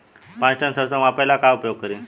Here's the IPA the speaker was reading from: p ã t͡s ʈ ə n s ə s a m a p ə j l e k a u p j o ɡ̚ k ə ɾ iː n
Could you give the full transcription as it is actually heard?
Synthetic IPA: p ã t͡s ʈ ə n s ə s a m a p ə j l a k a u p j o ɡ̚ k ə ɾ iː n

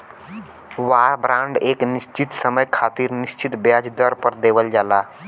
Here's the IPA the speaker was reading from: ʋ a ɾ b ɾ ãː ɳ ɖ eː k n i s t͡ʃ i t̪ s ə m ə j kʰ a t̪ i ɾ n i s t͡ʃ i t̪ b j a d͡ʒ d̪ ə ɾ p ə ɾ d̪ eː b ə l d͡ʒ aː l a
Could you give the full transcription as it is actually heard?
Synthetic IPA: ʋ a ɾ b ɾ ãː ɳ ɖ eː k n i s t͡ʃ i t̪ s ə m ə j kʰ a t̪ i ɾ n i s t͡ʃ i t̪ b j a d͡ʒ d̪ ə ɾ p ə ɾ d̪ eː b ə l d͡ʒ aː l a

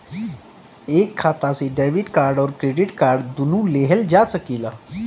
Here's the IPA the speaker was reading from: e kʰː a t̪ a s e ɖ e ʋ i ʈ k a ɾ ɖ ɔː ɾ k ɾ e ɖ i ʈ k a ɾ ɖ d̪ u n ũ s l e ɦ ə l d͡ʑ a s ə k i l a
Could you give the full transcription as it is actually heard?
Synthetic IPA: e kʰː a t̪ a s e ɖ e ʋ i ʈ k a ɾ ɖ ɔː ɾ k ɾ e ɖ i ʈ k a ɾ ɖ d̪ u n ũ l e ɦ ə l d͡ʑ a s ə k i l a

